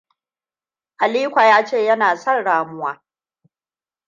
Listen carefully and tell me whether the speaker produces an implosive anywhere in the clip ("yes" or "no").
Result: no